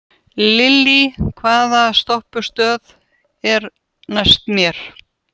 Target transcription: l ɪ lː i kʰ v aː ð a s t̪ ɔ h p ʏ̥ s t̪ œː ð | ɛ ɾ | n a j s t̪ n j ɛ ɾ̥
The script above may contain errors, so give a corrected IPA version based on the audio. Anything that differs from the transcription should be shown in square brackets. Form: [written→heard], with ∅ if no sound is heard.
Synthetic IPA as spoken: l ɪ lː i kʰ v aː ð a s t̪ ɔ h p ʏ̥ s t̪ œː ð | ɛ ɾ | n a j s t̪ [n→m] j ɛ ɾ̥

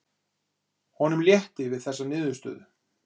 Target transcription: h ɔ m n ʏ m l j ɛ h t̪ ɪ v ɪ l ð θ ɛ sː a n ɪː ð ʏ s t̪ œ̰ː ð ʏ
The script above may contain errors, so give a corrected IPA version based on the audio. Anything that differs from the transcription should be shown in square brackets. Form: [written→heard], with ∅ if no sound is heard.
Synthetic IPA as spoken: h ɔ [m→∅] n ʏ m l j ɛ h t̪ ɪ v ɪ [l→∅] ð θ ɛ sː a n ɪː ð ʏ s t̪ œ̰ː ð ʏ

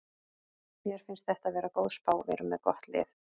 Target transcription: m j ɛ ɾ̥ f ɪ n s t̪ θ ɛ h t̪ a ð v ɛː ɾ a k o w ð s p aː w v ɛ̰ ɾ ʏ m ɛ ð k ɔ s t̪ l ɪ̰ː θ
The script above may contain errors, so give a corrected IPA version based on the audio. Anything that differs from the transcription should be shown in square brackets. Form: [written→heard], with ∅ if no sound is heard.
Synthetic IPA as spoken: m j ɛ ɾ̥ f ɪ n s t̪ θ ɛ h t̪ a ð v ɛː ɾ a k o w ð s p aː w v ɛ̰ ɾ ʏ m ɛ ð k ɔ [s→h] t̪ l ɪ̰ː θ

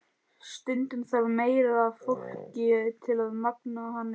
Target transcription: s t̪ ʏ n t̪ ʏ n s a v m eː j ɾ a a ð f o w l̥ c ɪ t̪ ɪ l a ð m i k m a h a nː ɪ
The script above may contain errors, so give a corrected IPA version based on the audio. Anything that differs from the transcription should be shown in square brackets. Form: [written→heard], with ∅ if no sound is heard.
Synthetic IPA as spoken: s t̪ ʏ n t̪ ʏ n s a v m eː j ɾ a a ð f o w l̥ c ɪ [t̪→t̪ʰ] ɪ l a ð m [i→a] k [m→n] a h a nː ɪ

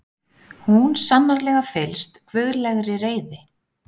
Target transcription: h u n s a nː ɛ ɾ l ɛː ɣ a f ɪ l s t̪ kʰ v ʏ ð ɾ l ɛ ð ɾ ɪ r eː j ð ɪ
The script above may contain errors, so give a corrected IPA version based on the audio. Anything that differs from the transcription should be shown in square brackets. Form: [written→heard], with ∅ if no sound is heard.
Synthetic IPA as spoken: h u n s a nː [ɛ→a] ɾ l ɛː ɣ a f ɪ l s t̪ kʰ v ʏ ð ɾ l ɛ [ð→ɣ] ɾ ɪ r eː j ð ɪ

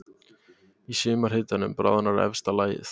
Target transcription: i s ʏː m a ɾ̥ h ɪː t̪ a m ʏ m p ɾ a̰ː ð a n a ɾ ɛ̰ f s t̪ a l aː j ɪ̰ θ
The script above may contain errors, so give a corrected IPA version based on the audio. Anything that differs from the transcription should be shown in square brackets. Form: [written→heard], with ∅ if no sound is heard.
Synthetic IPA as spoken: i s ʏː m a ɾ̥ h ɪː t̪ a [m→n] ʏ m p ɾ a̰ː ð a n a ɾ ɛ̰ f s t̪ a l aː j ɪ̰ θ

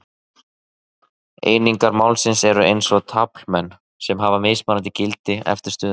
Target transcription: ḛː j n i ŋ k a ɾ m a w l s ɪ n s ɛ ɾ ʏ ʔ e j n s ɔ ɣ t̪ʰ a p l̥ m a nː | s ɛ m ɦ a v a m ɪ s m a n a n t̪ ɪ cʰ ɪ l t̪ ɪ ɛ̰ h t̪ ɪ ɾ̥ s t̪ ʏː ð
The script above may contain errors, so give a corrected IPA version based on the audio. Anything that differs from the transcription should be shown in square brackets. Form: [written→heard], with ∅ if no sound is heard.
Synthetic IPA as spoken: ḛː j n i ŋ k a ɾ m a w l s ɪ n s ɛ ɾ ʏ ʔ e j n s ɔ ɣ t̪ʰ a p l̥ m [a→ɛ] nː | s ɛ m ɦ a v a m ɪ s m a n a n t̪ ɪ [cʰ→c] ɪ l t̪ ɪ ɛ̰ [h→f] t̪ ɪ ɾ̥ s t̪ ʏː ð

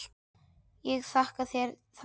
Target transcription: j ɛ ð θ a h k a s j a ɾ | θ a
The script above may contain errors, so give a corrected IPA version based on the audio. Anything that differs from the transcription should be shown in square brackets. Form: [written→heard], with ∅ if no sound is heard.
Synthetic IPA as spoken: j ɛ [ð→ɣ] θ a h k a [s→θ] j [a→ɛ] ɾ | θ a

